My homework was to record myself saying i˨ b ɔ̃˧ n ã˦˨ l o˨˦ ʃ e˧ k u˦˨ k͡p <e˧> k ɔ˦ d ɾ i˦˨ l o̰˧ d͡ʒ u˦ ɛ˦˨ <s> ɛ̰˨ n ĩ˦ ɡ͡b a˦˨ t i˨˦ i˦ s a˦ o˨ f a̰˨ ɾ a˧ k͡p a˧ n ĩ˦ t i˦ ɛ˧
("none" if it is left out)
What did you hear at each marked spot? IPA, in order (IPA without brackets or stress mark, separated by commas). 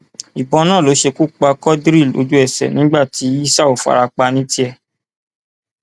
a˧, s